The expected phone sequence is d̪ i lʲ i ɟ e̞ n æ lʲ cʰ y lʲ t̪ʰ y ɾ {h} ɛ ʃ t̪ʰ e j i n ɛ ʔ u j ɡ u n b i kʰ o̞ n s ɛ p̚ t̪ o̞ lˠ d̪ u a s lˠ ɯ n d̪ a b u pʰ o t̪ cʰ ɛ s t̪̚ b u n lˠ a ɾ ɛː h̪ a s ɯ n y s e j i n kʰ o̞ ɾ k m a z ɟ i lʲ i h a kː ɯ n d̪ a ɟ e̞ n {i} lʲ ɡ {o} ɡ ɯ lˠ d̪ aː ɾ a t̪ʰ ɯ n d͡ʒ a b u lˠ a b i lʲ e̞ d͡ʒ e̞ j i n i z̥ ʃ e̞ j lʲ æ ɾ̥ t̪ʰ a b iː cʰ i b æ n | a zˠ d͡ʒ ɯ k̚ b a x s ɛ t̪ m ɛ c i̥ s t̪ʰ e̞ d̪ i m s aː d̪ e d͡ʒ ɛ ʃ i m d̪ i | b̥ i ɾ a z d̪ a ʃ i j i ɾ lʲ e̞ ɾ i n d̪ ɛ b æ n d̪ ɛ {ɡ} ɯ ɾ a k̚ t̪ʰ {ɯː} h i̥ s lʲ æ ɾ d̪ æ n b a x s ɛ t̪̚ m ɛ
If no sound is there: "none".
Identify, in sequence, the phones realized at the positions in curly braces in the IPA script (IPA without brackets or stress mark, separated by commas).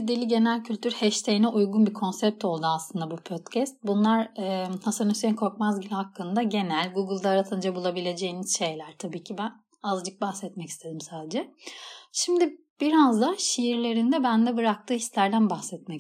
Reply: h, æ, u, b, ɯː